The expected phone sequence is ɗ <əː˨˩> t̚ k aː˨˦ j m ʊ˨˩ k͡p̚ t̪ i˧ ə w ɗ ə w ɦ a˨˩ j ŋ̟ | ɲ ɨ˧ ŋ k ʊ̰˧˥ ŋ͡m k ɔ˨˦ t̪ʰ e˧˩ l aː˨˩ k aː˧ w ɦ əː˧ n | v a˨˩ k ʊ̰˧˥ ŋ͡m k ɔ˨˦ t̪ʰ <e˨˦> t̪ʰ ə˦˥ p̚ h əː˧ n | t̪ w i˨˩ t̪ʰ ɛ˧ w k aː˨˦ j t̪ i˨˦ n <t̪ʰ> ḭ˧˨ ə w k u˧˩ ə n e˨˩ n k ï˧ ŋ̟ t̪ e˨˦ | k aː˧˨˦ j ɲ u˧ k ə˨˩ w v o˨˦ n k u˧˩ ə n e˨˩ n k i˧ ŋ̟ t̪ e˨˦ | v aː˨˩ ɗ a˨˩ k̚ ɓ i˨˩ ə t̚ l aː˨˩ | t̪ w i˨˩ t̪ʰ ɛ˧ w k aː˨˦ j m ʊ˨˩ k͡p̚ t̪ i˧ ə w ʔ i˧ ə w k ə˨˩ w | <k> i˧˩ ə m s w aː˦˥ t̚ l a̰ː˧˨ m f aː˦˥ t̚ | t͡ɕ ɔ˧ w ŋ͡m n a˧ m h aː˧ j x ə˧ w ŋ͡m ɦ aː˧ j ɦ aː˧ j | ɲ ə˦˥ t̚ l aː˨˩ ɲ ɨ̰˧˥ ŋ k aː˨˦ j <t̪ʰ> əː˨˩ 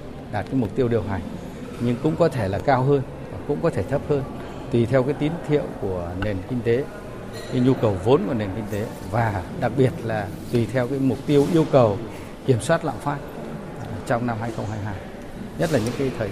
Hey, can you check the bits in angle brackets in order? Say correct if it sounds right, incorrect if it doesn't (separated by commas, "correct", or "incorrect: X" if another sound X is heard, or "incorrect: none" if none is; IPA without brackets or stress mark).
incorrect: aː˨˩, incorrect: e˧˩, correct, correct, correct